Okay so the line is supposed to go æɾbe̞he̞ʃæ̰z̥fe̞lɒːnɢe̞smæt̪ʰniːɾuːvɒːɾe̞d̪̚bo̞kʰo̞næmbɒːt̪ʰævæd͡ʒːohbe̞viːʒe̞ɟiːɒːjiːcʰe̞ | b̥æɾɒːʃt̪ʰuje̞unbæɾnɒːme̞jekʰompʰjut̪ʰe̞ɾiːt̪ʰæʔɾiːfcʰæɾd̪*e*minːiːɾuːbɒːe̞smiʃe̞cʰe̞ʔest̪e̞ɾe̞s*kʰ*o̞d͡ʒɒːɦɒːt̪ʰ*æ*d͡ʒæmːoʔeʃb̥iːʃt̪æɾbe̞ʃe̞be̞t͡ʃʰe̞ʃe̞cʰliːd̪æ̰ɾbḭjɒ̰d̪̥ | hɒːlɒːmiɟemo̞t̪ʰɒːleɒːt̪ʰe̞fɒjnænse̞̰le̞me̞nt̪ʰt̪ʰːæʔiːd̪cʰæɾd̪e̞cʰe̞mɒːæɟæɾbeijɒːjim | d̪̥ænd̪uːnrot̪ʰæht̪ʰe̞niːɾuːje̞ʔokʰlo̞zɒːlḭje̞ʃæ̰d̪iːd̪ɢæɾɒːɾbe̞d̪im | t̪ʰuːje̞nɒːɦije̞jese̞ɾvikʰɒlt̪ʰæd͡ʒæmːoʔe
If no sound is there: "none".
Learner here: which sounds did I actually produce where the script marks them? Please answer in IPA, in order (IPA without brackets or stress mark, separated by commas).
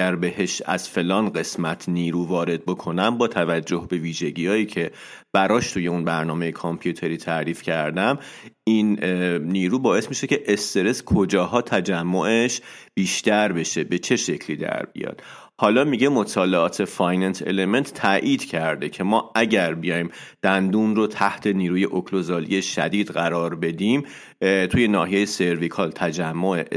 æ, kʰ, æ